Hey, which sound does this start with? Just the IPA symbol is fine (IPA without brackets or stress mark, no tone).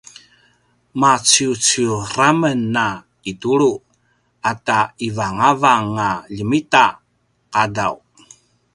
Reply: m